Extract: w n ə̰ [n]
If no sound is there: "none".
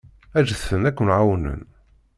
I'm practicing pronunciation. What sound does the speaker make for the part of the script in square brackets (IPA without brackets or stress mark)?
n